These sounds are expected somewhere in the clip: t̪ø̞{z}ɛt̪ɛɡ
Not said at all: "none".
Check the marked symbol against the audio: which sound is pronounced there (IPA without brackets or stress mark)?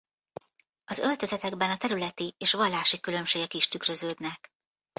z